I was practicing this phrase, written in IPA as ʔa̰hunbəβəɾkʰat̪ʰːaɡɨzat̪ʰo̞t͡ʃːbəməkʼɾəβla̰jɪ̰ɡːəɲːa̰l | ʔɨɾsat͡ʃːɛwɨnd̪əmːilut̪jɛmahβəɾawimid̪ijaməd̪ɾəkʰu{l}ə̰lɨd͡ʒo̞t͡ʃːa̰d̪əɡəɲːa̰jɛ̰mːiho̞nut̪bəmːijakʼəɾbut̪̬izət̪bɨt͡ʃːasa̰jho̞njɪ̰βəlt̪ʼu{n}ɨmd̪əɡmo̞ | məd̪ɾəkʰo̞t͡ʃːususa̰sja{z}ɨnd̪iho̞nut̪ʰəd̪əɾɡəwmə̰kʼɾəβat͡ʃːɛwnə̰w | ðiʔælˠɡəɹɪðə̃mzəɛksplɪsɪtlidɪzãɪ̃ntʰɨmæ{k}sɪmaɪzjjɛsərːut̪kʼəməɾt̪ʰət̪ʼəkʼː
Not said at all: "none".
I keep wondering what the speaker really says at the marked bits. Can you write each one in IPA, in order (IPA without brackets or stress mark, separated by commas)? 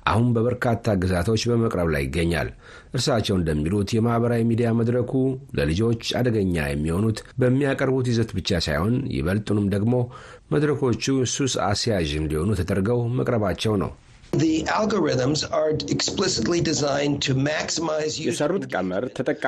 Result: l, n, ʒ, k